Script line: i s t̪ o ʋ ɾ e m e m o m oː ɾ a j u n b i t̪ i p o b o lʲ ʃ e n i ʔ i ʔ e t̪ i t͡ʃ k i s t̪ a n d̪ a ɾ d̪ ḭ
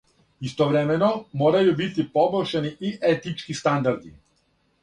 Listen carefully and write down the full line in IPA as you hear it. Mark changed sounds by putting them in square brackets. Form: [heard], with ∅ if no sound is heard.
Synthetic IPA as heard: i s t̪ o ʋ ɾ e m e [n] o m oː ɾ a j u [∅] b i t̪ i p o b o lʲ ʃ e n i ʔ i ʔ e t̪ i t͡ʃ k i s t̪ a n d̪ a ɾ d̪ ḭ